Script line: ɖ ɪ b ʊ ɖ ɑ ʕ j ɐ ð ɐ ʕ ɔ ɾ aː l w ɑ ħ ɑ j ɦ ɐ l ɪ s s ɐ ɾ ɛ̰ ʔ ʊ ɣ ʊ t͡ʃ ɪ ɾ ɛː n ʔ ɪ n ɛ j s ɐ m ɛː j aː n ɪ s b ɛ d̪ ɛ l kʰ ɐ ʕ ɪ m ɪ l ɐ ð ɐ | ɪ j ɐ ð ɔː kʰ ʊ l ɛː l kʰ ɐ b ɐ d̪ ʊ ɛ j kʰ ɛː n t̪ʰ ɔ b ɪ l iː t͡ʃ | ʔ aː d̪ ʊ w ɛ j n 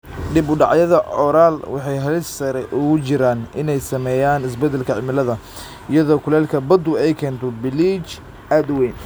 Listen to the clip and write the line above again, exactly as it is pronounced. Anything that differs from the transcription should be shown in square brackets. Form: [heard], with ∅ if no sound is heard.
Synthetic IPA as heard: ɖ ɪ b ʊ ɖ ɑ ʕ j ɐ ð ɐ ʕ ɔ ɾ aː l w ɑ ħ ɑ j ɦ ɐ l ɪ s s ɐ ɾ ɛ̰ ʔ ʊ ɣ ʊ t͡ʃ ɪ ɾ [aː] n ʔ ɪ n ɛ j s ɐ m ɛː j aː n ɪ s b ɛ d̪ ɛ l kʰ ɐ ʕ ɪ m ɪ l ɐ ð ɐ | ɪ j ɐ ð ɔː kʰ ʊ l ɛː l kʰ ɐ b ɐ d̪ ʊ ɛ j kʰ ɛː n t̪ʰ ɔ b ɪ l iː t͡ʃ | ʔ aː d̪ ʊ w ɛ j n